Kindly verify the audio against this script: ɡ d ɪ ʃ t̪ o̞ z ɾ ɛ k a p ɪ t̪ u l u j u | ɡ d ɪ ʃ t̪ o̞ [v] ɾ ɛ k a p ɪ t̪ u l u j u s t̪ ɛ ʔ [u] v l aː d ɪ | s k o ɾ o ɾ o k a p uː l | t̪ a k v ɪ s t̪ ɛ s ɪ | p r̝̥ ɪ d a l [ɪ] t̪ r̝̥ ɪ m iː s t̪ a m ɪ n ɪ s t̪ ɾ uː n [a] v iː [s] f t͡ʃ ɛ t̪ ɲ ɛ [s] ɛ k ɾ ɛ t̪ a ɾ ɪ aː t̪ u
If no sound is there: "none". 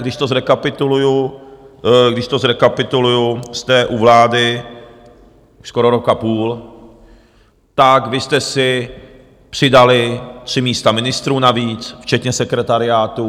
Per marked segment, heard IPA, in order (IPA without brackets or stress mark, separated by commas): z, u, ɪ, a, t͡s, s